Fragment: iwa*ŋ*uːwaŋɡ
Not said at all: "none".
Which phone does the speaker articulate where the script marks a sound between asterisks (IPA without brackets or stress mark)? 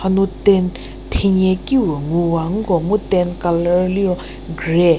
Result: ŋ